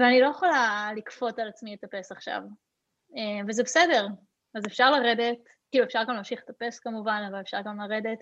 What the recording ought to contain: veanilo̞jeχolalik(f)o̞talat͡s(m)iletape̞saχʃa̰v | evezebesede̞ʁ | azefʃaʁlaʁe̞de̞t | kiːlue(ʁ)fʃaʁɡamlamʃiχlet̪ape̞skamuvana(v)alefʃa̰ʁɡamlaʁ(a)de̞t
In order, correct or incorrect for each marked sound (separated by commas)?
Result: correct, correct, incorrect, correct, incorrect